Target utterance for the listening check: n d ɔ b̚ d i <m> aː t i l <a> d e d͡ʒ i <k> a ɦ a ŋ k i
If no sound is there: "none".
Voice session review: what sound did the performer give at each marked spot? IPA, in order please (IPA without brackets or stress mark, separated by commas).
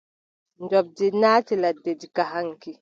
n, a, k